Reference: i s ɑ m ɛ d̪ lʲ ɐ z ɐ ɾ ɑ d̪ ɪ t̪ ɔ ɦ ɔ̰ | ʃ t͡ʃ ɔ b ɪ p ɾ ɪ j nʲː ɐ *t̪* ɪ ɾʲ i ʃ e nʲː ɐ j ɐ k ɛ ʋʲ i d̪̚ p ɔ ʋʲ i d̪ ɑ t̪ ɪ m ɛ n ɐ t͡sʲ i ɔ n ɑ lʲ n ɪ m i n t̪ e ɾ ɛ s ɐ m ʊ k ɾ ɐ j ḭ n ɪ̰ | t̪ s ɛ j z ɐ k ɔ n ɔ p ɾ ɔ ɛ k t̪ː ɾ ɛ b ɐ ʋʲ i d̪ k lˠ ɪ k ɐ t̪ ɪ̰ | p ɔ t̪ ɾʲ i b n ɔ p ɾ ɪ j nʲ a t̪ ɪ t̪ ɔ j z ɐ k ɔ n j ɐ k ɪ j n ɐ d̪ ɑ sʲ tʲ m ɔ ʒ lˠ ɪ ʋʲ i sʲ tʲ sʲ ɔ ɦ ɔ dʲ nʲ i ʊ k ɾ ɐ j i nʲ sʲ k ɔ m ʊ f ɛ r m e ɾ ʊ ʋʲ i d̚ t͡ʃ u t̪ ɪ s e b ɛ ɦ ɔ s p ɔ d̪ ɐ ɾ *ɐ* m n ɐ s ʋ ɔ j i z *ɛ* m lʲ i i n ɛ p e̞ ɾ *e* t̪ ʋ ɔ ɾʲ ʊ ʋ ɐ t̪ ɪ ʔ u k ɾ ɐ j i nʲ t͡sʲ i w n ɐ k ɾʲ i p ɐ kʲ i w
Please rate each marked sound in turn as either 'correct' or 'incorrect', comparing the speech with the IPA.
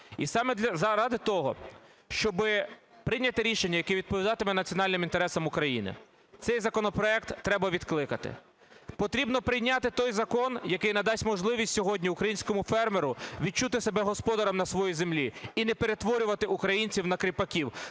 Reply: correct, correct, incorrect, correct

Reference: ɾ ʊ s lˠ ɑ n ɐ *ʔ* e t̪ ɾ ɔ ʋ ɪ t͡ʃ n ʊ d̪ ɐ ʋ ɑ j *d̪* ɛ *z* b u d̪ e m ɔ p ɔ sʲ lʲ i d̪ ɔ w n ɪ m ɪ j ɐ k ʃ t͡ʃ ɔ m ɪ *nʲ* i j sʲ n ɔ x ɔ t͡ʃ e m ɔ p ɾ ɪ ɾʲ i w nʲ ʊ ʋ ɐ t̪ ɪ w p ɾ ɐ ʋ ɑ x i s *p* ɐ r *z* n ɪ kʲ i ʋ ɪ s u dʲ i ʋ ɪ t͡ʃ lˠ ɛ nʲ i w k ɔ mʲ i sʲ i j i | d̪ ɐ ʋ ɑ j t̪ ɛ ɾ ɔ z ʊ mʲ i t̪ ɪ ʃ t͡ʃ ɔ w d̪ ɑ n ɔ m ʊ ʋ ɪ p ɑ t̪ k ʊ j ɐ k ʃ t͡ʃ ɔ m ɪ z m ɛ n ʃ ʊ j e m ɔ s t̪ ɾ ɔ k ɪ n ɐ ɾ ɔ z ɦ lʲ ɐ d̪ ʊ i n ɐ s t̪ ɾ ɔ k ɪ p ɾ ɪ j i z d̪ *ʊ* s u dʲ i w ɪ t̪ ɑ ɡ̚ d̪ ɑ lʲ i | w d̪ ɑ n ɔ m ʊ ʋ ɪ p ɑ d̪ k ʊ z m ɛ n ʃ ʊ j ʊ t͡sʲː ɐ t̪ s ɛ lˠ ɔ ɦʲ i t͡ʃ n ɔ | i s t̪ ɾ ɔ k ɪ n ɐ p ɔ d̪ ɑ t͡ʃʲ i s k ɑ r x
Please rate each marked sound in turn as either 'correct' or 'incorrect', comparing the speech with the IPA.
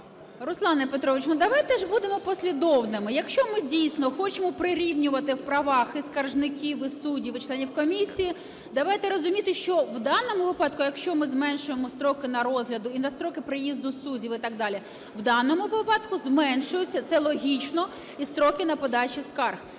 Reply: incorrect, incorrect, incorrect, incorrect, incorrect, incorrect, correct

